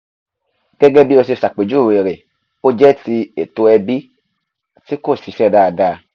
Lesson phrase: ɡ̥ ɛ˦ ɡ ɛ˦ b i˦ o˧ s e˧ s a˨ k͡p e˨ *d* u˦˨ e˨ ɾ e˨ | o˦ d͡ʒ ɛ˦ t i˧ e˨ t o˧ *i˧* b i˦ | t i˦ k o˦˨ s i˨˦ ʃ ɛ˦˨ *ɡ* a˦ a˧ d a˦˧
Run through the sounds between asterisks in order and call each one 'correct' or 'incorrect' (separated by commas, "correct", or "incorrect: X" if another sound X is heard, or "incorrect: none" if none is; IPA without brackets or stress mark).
incorrect: d͡ʒ, incorrect: ɛ˧, incorrect: d